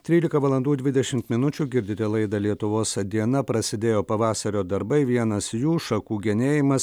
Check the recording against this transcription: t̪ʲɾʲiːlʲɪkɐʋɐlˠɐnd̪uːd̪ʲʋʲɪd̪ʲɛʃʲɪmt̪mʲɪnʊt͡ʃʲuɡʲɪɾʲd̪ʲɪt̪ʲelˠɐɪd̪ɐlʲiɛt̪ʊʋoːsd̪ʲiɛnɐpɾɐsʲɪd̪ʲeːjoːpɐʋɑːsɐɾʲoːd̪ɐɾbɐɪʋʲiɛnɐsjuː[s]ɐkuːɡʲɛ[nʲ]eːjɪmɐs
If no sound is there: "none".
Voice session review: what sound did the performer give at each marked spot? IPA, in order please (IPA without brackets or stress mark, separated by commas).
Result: ʃ, nʲ